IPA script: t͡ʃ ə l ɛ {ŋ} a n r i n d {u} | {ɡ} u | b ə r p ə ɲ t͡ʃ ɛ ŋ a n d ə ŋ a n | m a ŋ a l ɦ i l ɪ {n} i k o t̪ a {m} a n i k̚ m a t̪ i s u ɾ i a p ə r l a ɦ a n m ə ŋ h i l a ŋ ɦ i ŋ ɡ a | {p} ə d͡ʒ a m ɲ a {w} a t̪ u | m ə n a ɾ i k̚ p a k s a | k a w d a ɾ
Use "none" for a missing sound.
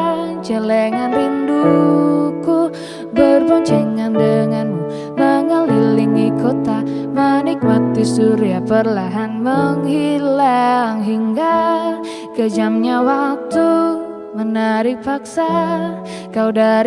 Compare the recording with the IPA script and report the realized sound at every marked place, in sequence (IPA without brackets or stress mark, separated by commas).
ŋ, u, k, ŋ, m, k, w